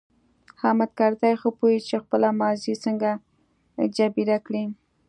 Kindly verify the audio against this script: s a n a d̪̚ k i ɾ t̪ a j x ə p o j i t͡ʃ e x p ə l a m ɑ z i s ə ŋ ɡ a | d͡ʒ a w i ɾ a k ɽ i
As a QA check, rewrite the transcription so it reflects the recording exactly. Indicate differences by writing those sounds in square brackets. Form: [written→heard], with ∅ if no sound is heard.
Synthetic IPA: [s→h] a [n→m] a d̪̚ k [i→a] ɾ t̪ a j x ə p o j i t͡ʃ e x p ə l a m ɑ z i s ə ŋ ɡ a | d͡ʒ a [w→b] i ɾ a k ɽ i